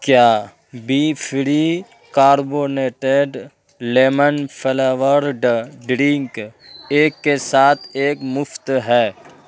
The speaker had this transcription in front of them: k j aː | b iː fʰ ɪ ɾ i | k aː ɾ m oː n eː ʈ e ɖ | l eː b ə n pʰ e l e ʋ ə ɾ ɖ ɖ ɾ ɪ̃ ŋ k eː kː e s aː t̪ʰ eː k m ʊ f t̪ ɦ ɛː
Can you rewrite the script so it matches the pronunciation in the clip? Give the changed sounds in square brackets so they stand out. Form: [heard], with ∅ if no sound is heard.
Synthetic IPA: k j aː | b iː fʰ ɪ ɾ i | k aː ɾ [b] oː n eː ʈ e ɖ | l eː [m] ə n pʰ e l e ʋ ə ɾ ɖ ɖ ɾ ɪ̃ ŋ k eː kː e s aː t̪ʰ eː k m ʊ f t̪ ɦ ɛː